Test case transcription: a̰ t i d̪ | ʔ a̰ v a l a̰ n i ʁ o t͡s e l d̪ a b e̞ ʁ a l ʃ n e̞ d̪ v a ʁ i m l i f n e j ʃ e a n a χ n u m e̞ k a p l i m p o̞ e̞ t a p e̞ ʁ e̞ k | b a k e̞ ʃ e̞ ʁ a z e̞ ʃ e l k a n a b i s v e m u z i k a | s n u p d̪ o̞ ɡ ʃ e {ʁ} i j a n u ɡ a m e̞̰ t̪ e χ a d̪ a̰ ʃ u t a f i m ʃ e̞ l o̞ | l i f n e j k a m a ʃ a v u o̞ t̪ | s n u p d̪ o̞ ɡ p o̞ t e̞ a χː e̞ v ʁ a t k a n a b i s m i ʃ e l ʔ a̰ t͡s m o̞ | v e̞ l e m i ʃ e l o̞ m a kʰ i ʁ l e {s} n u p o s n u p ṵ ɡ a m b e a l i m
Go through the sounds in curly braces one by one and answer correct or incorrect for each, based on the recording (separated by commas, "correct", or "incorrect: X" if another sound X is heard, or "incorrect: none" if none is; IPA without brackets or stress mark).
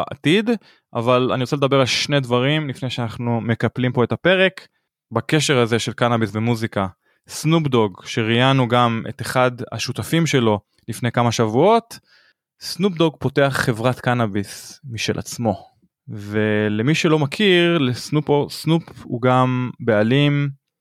correct, correct